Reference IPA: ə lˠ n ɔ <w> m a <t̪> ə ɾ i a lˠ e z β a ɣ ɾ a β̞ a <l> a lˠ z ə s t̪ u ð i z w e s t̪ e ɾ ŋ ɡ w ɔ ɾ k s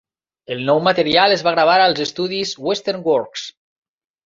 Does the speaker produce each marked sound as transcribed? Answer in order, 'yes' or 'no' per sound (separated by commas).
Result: yes, yes, no